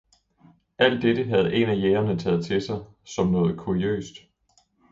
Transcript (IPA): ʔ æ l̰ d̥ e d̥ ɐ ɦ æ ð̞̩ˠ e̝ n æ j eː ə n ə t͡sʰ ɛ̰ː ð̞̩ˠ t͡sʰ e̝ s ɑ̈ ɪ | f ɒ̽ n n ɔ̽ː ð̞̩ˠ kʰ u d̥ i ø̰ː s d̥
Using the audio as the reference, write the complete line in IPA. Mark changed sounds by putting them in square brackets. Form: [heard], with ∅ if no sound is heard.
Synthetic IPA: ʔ æ l̰ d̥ e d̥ [ə] ɦ æ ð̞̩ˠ e̝ n æ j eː [ɐ] n ə t͡sʰ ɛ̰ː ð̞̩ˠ t͡sʰ e̝ s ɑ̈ ɪ | [s] ɒ̽ [m] n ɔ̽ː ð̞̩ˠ kʰ u [∅] i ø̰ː s d̥